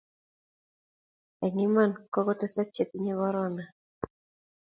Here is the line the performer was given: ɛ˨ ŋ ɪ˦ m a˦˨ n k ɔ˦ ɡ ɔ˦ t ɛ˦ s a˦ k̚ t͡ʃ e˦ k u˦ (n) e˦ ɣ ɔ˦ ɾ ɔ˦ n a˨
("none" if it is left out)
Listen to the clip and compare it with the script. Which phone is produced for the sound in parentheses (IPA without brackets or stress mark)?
ɲ